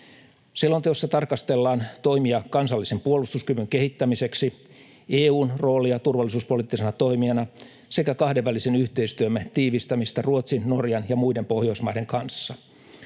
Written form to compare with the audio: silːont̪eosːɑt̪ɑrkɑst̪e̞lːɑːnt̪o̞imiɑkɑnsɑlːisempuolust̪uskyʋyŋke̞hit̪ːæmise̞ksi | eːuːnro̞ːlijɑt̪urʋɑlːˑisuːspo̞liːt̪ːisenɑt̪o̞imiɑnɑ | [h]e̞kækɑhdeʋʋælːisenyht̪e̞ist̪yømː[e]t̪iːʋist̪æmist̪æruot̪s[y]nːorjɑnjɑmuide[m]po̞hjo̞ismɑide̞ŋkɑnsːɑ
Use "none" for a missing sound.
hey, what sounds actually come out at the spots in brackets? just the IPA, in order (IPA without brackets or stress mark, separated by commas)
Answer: s, æ, i, m